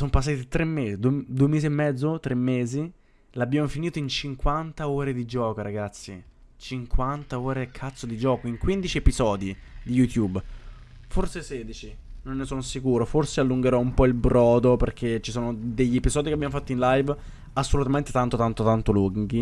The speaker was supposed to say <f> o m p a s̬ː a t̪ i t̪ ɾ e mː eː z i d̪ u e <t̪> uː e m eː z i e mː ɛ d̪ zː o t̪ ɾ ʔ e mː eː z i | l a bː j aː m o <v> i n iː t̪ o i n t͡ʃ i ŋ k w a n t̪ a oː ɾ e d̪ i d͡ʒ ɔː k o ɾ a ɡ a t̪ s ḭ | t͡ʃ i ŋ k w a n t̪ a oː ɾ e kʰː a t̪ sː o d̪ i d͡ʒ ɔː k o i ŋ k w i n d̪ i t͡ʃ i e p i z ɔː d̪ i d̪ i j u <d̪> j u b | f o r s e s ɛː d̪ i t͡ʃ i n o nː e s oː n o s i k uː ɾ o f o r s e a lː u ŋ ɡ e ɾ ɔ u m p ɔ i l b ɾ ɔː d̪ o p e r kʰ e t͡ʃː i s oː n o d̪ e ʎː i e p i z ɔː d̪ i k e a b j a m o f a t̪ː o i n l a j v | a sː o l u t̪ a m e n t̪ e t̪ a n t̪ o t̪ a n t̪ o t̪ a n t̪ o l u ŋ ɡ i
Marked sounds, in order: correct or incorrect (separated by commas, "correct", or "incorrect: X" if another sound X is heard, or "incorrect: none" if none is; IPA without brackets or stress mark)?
incorrect: s, incorrect: d̪, incorrect: f, incorrect: t̪